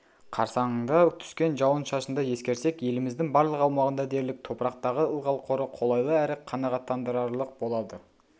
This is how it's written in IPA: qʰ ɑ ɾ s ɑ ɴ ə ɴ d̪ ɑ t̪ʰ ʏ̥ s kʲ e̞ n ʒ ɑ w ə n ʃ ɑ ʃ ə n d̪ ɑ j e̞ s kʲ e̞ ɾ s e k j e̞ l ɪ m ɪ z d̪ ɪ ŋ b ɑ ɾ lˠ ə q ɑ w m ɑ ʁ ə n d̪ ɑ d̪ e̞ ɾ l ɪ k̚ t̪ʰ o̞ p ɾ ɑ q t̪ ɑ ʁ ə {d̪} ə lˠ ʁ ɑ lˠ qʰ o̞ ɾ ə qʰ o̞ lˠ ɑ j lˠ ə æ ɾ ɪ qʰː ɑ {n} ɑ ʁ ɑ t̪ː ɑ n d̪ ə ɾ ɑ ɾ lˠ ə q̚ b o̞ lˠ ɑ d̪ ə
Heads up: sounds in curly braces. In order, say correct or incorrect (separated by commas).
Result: incorrect, correct